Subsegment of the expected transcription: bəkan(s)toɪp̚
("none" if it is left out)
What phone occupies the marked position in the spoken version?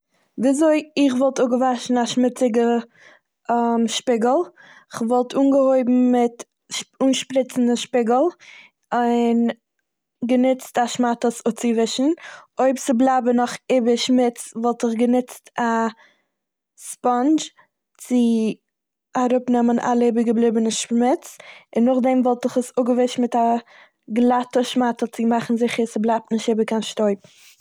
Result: ʃ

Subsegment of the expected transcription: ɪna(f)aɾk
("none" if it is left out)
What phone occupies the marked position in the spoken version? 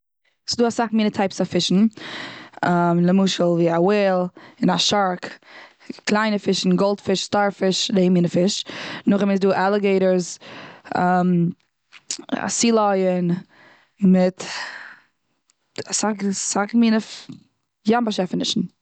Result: ʃ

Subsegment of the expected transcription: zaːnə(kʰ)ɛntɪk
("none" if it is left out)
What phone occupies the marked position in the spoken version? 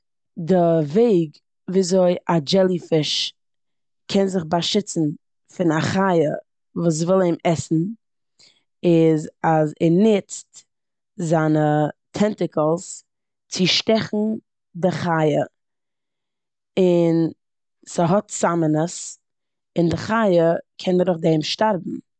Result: tʰ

